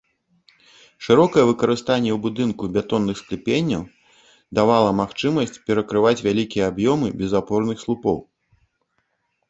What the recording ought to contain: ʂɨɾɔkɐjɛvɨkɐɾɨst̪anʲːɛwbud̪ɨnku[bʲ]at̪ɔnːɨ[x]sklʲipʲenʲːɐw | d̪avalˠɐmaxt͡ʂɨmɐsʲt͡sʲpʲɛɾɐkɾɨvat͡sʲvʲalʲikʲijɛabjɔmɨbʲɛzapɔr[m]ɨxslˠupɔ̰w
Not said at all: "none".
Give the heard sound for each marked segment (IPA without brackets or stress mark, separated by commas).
bʲ, x, n